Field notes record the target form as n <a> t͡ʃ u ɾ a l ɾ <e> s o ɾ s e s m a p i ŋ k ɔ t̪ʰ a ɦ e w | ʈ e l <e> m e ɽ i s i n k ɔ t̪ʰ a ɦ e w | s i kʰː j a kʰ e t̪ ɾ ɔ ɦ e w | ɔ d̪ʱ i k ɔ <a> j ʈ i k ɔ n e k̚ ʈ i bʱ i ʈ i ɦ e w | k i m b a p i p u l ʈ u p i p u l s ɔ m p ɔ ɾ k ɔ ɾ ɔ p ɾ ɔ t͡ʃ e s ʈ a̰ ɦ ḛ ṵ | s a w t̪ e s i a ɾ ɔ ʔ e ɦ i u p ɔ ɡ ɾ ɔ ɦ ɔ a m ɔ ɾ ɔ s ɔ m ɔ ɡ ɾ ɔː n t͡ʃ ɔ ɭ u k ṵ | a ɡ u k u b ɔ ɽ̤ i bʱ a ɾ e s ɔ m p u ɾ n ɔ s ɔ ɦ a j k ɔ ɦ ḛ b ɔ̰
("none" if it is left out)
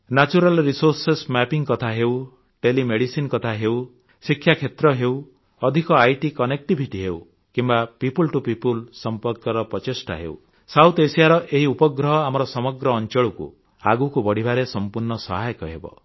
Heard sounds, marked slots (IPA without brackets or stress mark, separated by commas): a, i, i, a